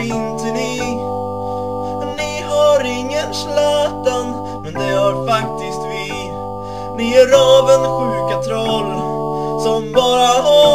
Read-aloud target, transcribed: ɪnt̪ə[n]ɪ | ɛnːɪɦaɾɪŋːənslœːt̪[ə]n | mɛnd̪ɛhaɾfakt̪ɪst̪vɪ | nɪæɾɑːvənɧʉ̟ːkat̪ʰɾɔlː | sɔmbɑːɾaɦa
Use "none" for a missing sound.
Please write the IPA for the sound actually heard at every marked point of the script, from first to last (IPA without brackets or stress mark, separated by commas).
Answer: n, a